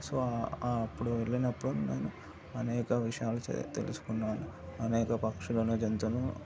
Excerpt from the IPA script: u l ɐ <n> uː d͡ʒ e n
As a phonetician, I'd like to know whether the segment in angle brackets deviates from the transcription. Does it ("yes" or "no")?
no